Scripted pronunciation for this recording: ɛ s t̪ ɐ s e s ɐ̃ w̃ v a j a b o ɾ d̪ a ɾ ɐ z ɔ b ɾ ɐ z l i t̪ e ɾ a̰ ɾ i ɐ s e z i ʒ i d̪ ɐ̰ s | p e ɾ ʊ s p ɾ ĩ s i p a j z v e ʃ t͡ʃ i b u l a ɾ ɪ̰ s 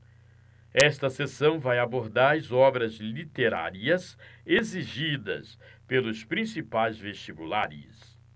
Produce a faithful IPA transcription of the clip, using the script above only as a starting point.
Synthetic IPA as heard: ɛ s t̪ ɐ s e s ɐ̃ w̃ v a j a b o ɾ d̪ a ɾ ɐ z ɔ b ɾ ɐ z l i t̪ e ɾ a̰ ɾ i ɐ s e z i ʒ i d̪ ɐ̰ s | p e l ʊ s p ɾ ĩ s i p a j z v e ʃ t͡ʃ i b u l a ɾ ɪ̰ s

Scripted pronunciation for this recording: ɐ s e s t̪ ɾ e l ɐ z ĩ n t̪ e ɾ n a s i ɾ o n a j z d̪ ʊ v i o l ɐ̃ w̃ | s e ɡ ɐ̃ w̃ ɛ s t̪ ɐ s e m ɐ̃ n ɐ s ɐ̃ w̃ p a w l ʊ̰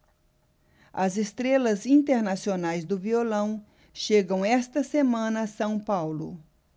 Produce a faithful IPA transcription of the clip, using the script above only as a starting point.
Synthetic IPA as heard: ɐ z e s t̪ ɾ e l ɐ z ĩ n t̪ e ɾ n a s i o n a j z d̪ ʊ v i o l ɐ̃ w̃ | ʃ e ɡ ɐ̃ w̃ ɛ s t̪ ɐ s e m ɐ̃ n ɐ s ɐ̃ w̃ p a w l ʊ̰

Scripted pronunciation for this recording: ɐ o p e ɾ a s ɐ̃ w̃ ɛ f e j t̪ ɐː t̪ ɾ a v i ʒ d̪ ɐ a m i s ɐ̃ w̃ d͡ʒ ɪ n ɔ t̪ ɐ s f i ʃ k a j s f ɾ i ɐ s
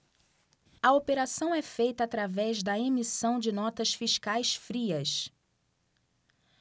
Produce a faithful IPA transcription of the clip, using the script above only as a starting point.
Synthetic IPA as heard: ɐ o p e ɾ a s ɐ̃ w̃ ɛ f e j t̪ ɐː t̪ ɾ a v ɛ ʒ d̪ ɐ e m i s ɐ̃ w̃ d͡ʒ ɪ n ɔ t̪ ɐ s f i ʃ k a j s f ɾ i ɐ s

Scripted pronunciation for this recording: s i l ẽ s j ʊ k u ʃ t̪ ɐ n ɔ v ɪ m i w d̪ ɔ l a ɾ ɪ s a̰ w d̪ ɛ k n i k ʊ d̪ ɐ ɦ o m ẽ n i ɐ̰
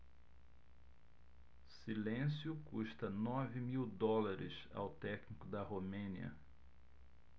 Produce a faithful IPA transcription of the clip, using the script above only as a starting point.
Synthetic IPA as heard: s i l ẽ s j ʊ k u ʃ t̪ ɐ n ɔ v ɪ m i w d̪ ɔ l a ɾ ɪ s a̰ w t̪ ɛ k n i k ʊ d̪ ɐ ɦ o m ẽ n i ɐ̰

